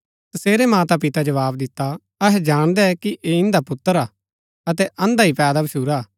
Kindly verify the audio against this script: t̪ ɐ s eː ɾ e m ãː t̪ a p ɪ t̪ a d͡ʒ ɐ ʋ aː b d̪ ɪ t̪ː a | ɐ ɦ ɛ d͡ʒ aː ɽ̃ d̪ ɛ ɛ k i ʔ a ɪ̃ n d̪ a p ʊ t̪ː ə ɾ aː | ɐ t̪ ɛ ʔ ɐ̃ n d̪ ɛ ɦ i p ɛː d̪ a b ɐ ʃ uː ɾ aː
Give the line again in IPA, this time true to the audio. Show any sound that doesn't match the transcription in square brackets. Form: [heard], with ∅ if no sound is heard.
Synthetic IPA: t̪ ɐ s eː ɾ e m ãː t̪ a p ɪ t̪ a d͡ʒ ɐ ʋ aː b d̪ ɪ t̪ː a | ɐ ɦ ɛ d͡ʒ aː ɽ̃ d̪ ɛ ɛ k i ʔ [e] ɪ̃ n d̪ a p ʊ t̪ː ə ɾ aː | ɐ t̪ ɛ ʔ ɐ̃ n d̪ [a] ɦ i p ɛː d̪ a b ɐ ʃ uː ɾ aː